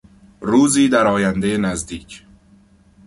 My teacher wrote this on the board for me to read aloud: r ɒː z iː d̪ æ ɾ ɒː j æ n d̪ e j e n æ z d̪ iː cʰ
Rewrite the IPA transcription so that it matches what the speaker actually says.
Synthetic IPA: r uː z iː d̪ æ ɾ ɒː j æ n d̪ e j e n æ z d̪ iː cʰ